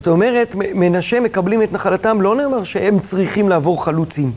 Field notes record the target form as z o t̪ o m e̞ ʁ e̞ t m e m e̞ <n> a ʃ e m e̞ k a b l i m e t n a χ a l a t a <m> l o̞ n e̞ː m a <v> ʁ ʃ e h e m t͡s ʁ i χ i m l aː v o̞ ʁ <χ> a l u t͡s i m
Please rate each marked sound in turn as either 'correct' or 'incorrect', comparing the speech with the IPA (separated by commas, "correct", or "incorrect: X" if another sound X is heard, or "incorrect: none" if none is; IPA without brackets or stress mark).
correct, correct, incorrect: none, correct